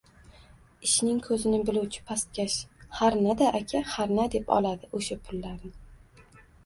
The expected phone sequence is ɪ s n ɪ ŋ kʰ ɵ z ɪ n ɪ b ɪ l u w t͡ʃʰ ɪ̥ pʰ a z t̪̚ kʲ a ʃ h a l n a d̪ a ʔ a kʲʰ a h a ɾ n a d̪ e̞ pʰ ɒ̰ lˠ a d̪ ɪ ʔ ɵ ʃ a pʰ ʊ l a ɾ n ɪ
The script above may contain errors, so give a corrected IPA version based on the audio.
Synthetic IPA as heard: ɪ ʃ n ɪ ŋ kʰ ɵ z ɪ n ɪ b ɪ l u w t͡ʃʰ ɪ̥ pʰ a s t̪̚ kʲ a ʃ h a ɾ n a d̪ a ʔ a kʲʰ a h a ɾ n a d̪ e̞ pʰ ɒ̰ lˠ a d̪ ɪ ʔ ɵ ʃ a pʰ ʊ lː a ɾ n ɪ

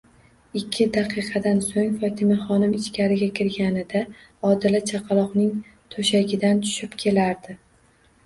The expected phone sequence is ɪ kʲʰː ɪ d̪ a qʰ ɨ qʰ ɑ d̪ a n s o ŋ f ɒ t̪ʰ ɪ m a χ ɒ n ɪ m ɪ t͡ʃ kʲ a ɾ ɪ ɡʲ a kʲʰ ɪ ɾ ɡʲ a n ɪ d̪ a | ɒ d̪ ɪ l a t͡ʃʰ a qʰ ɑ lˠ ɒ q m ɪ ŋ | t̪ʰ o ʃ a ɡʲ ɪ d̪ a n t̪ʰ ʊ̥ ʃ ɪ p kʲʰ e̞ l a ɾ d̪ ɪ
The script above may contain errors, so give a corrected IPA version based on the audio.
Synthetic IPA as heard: ɪ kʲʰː ɪ d̪ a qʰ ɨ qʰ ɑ d̪ a n s o ŋ f ɒ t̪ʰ ɪ m a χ ɒ n ɪ m ɪ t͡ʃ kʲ a ɾ ɪ ɡʲ a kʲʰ ɪ ɾ ɡʲ a n ɪ d̪ a | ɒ d̪ ɪ l a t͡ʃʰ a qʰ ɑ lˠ ɒ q n ɪ ŋ | t̪ʰ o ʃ a ɡʲ ɪ d̪ a n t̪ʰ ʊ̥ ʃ ɪ p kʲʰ e̞ l a ɾ d̪ ɪ

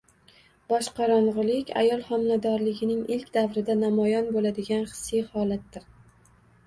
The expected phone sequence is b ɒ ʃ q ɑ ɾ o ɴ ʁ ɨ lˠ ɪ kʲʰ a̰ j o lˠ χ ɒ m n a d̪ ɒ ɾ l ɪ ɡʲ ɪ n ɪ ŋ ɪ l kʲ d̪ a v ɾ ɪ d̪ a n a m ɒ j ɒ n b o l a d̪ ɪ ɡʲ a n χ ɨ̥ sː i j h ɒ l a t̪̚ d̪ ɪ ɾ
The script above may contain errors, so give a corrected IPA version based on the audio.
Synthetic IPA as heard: b ɒ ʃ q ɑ ɾ ɒ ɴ ʁ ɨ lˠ ɪ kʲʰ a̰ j ɒ lˠ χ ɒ m n a d̪ ɒ ɾ l ɪ ɡʲ ɪ n ɪ ŋ ɪ l kʲ d̪ a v ɾ ɪ d̪ a n a m ɒ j ɒ n b o l a d̪ ɪ ɡʲ a n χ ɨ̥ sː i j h ɒ l a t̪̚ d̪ ɪ ɾ

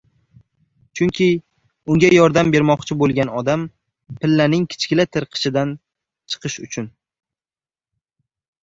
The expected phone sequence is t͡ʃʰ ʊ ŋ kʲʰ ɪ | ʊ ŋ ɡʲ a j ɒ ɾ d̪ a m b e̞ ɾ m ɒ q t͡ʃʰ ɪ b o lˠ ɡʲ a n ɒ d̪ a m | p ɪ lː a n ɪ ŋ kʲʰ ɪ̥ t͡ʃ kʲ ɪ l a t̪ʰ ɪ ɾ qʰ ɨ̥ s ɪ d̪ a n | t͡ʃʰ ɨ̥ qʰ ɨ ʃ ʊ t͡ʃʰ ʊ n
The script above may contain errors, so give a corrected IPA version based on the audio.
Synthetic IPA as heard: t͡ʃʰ ʊ ŋ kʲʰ ɪ | ʊ ŋ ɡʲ a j ɒ ɾ d̪ a m b e̞ ɾ m ɒ q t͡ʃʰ ɪ b o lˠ ɡʲ a n ɒ d̪ a m | p ɪ lː a n ɪ ŋ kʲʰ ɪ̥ t͡ʃ kʲ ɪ l a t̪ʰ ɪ ɾ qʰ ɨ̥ ʃ ɪ d̪ a n | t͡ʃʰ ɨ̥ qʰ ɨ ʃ ʊ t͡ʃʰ ʊ n

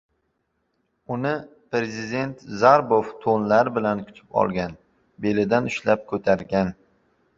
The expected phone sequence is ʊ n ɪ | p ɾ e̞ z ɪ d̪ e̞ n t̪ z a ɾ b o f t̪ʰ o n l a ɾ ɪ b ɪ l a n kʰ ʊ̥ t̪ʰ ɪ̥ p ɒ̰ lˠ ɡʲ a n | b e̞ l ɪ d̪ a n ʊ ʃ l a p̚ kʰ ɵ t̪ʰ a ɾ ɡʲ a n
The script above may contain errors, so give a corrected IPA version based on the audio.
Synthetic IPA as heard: ʊ n ɪ | p ɾ e̞ z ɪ d̪ e̞ n t̪ z a ɾ b o f t̪ʰ o n l a ɾ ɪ b ɪ l a n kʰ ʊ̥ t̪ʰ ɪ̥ p ɒ̰ lˠ ɡʲ a n | b e̞ l ɪ d̪ a n ʊ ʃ l a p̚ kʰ ɵ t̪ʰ a ɾ ɡʲ a n

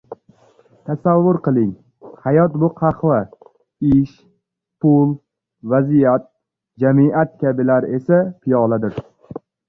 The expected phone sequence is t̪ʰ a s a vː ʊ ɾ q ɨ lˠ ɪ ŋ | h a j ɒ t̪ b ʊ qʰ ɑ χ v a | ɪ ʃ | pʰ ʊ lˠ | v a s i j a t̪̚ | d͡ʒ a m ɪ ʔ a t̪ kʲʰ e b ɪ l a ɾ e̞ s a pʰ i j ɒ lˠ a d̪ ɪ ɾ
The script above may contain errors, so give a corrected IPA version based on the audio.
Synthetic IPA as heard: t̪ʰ a s a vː ʊ ɾ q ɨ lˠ ɪ ŋ | h a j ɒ t̪ b ʊ qʰ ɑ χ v a | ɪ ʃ | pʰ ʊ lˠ | v a z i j a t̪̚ | d͡ʒ a m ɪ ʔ a t̪ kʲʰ a b ɪ l a ɾ e̞ s a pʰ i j ɒ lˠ a d̪ ɪ ɾ

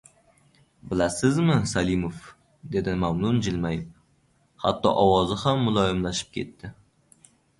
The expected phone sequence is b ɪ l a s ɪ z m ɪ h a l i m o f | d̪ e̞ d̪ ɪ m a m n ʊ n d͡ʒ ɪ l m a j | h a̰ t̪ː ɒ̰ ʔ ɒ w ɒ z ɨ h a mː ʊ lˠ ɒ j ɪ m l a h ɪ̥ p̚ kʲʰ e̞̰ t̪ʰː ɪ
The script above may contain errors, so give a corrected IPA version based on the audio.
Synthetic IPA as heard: b ɪ l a s ɪ z m ɪ s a l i m o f | d̪ e̞ d̪ ɪ m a m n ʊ n d͡ʒ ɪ l m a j | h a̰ t̪ː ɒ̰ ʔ ɒ w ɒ z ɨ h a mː ʊ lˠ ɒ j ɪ m l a ʃ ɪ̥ p̚ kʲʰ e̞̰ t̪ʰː ɪ

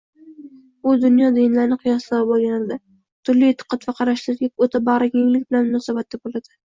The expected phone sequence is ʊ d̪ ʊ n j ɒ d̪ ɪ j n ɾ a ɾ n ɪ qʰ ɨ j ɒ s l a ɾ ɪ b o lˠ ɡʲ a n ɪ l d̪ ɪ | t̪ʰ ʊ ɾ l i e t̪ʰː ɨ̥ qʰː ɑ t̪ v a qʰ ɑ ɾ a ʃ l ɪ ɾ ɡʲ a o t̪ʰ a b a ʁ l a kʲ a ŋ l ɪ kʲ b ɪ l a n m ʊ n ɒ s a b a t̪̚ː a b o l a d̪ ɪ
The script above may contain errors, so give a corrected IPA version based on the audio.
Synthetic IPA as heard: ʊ d̪ ʊ n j ɒ d̪ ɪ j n l a ɾ n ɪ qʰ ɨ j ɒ s l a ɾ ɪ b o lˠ ɡʲ a n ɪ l d̪ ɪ | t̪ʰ ʊ ɾ l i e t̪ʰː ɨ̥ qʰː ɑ t̪ v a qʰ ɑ ɾ a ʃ l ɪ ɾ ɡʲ a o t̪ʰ a b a ʁ ɾ a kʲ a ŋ l ɪ kʲ b ɪ l a n m ʊ n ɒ s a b a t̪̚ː a b o l a d̪ ɪ

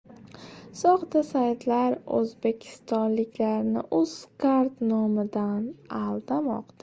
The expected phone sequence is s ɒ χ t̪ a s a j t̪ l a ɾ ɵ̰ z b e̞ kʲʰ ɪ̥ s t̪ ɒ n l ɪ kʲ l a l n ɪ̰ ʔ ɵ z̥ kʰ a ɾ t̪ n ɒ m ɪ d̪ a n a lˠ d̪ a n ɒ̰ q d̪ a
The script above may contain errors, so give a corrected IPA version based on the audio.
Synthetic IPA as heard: s ɒ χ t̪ a s a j t̪ l a ɾ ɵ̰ z b e̞ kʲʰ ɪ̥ s t̪ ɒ n l ɪ kʲ l a ɾ n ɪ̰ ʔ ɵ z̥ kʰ a ɾ t̪ n ɒ m ɪ d̪ a n a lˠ d̪ a m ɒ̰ q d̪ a

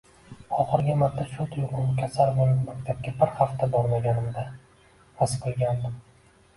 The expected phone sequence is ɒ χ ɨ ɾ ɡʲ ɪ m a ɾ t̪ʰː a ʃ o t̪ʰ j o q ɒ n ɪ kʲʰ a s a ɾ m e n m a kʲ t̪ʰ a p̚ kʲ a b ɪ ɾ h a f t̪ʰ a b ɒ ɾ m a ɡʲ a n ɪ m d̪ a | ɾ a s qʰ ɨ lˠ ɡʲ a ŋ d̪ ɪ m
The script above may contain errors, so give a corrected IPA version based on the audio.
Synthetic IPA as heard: ɒ χ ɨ ɾ ɡʲ ɪ m a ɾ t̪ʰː a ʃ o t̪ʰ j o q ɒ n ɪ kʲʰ a s a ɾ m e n m a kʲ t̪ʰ a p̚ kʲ a b ɪ ɾ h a f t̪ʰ a b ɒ ɾ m a ɡʲ a n ɪ m d̪ a | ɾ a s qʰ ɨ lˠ ɡʲ a n d̪ ɪ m

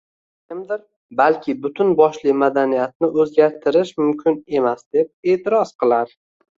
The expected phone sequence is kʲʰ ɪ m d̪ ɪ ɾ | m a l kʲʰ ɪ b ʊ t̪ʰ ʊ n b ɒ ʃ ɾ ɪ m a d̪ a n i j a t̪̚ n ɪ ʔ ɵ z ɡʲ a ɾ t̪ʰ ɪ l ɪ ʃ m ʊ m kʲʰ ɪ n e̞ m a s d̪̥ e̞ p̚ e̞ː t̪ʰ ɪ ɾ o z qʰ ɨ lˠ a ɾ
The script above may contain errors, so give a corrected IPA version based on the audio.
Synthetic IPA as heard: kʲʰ ɪ m d̪ ɪ ɾ | b a l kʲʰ ɪ b ʊ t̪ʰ ʊ n b ɒ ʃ l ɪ m a d̪ a n i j a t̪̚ n ɪ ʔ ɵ z ɡʲ a ɾ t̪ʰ ɪ ɾ ɪ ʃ m ʊ m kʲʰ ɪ n e̞ m a s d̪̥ e̞ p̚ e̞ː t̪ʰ ɪ ɾ ɒ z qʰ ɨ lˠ a ɾ

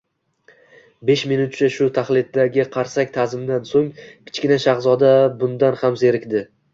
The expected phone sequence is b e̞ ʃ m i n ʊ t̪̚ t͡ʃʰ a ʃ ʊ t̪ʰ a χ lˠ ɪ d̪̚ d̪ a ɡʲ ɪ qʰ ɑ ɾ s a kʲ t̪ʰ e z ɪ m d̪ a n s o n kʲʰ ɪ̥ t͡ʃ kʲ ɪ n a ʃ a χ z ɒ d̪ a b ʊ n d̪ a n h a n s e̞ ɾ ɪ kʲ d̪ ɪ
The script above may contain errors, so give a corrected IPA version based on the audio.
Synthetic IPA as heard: b e̞ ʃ m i n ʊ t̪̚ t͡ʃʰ a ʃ ʊ t̪ʰ a χ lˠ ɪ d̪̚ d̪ a ɡʲ ɪ qʰ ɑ ɾ s a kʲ t̪ʰ a z ɪ m d̪ a n s o ŋ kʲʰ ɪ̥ t͡ʃ kʲ ɪ n a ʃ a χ z ɒ d̪ a b ʊ n d̪ a n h a m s e̞ ɾ ɪ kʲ d̪ ɪ

